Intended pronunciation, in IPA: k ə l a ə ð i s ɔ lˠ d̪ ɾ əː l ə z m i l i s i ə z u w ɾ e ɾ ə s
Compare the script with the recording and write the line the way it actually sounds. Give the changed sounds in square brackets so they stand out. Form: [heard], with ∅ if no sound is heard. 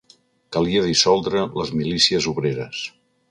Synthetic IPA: k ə l [i] ə ð i s ɔ lˠ d̪ ɾ [ə] l ə z m i l i s i ə z u [β] ɾ e ɾ ə s